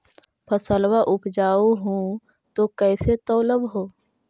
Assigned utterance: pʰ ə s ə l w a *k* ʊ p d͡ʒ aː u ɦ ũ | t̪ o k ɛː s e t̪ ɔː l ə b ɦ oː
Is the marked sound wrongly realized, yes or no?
yes